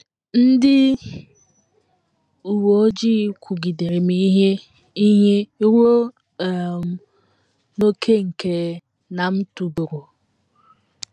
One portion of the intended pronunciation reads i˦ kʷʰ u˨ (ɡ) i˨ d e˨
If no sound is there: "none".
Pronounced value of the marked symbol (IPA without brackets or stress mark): ɡ